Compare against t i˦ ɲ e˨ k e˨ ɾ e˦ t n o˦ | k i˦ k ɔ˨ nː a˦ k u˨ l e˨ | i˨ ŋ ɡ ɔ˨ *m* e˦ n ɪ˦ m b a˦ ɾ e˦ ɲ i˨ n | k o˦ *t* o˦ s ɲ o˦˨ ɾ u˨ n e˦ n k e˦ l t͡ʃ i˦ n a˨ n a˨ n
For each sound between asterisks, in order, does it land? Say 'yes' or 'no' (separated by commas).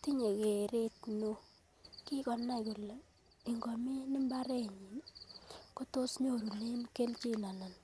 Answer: yes, yes